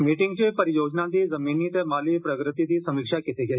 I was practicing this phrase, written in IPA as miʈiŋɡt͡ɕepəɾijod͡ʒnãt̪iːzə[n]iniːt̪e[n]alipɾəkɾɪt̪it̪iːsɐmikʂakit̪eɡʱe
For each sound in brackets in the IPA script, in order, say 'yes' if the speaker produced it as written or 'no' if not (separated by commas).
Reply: no, no